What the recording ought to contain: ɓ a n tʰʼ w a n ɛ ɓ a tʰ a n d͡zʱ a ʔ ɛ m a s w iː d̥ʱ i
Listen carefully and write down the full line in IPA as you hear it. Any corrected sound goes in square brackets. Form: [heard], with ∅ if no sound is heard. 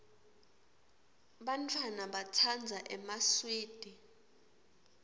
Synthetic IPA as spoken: ɓ a n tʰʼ w a n [a] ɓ a tʰ a n d͡zʱ a ʔ ɛ m a s w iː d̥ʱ i